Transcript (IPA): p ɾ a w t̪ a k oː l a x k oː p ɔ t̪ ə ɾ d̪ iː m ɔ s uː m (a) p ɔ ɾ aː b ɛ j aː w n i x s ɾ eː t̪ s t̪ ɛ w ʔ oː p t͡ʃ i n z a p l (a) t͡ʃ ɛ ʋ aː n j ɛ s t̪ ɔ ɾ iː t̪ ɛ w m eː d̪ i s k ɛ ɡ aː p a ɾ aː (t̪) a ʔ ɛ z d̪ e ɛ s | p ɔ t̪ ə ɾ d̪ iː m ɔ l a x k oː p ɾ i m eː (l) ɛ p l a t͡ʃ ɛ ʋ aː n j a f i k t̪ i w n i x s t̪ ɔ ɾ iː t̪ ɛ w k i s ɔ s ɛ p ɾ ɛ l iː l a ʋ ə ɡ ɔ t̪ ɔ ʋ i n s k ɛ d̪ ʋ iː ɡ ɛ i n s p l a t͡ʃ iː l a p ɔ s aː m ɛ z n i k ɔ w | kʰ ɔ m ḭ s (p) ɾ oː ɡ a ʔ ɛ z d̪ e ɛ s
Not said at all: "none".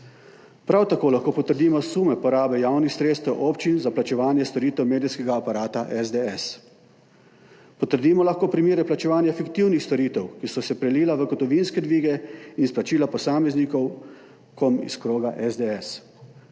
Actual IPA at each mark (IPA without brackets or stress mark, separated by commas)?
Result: ɛ, a, t̪, ɾ, k